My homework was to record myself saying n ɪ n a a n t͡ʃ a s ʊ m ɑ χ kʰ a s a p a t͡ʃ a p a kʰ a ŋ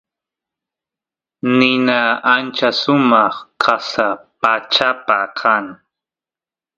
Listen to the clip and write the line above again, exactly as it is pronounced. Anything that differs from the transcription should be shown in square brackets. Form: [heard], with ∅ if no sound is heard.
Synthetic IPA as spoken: n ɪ n a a n t͡ʃ a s ʊ m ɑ χ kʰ a s a p a t͡ʃ a p a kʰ a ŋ